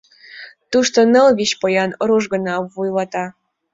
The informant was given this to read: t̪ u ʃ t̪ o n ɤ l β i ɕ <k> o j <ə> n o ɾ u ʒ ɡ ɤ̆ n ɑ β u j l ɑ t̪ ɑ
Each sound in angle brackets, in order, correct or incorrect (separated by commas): incorrect, incorrect